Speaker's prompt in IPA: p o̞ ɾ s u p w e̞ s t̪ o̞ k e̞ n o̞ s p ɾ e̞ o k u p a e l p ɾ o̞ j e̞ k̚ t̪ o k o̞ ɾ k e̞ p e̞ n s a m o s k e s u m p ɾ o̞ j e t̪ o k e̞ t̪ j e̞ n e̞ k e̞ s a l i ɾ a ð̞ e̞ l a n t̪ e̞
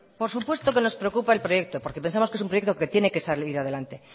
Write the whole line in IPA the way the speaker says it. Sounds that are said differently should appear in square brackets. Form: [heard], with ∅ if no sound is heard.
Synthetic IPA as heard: p o̞ ɾ s u p w e̞ s t̪ o̞ k e̞ n o̞ s p ɾ e̞ o k u p a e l p ɾ o̞ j e̞ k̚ t̪ o [p] o̞ ɾ k e̞ p e̞ n s a m o s k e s u m p ɾ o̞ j e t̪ o k e̞ t̪ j e̞ n e̞ k e̞ s a l i ɾ a ð̞ e̞ l a n t̪ e̞